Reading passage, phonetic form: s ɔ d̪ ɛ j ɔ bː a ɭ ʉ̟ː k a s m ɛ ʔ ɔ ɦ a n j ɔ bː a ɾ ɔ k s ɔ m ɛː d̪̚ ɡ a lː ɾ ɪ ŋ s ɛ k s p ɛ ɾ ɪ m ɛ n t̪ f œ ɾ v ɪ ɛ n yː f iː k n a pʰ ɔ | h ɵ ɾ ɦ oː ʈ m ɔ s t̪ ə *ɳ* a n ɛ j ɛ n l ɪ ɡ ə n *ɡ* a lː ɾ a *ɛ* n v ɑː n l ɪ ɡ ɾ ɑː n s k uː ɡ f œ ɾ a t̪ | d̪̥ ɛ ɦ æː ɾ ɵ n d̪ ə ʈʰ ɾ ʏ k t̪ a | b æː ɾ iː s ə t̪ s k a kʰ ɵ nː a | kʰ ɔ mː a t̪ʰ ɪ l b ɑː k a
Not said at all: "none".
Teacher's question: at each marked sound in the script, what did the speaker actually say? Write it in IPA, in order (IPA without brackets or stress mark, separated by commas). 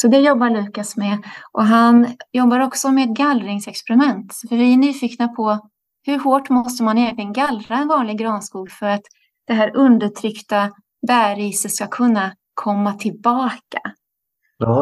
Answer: m, ɡ, ɛ